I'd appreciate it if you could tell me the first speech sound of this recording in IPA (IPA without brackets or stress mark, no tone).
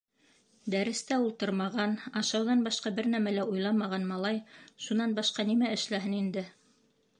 d̪